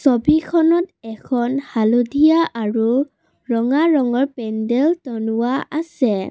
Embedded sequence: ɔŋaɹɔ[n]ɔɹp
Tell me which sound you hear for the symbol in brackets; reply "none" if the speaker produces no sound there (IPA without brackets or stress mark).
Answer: ŋ